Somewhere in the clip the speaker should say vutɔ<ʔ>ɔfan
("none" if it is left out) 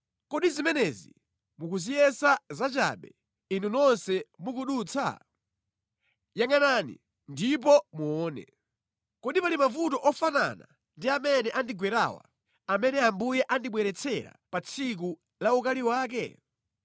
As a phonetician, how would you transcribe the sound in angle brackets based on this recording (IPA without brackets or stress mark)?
ʔ